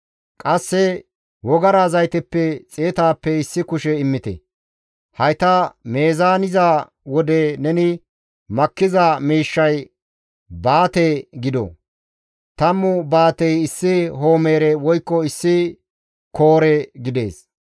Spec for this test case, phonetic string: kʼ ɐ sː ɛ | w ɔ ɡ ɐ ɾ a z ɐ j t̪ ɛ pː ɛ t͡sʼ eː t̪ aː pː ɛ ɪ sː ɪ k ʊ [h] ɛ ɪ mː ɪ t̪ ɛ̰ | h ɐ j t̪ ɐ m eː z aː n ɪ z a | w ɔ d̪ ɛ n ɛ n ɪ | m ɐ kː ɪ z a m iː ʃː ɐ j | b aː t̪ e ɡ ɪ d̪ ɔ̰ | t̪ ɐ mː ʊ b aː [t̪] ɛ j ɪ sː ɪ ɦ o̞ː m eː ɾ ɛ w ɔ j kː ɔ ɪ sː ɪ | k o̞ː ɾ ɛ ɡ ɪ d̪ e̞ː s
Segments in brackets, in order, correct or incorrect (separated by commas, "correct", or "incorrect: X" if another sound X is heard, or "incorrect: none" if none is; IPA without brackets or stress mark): incorrect: ʃ, correct